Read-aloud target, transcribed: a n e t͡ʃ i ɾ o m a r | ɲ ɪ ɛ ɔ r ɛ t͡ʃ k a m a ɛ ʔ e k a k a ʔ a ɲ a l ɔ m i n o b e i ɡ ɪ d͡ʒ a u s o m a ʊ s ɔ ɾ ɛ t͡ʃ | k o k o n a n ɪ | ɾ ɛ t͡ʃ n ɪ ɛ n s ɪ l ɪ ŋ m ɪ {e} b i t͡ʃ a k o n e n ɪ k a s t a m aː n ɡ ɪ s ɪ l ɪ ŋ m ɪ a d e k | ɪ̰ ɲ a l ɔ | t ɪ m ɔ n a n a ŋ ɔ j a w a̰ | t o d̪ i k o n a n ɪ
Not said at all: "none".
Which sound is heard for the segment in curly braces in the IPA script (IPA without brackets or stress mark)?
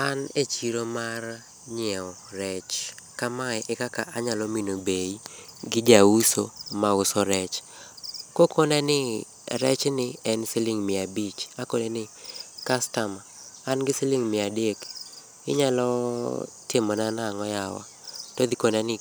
a